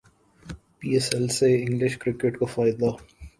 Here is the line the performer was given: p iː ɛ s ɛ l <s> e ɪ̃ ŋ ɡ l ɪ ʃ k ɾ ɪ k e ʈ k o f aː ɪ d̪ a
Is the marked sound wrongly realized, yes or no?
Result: no